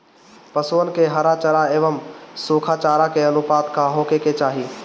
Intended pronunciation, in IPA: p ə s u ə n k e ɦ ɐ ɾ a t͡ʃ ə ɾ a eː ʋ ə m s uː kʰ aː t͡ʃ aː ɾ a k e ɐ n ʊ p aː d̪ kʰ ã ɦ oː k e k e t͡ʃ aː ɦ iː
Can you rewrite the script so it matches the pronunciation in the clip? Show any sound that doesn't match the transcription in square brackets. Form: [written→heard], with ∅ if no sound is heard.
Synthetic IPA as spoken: p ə s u ə n k e ɦ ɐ ɾ a t͡ʃ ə ɾ a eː ʋ ə m s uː kʰ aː t͡ʃ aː ɾ a k e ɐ n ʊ p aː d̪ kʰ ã ɦ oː k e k e t͡ʃ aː ɦ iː